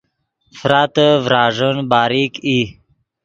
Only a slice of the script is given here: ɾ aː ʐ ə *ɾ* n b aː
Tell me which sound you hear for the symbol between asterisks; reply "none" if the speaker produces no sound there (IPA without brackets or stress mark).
none